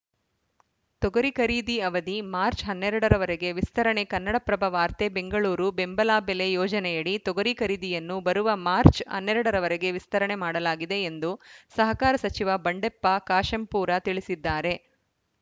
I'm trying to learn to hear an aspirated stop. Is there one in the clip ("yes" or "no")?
no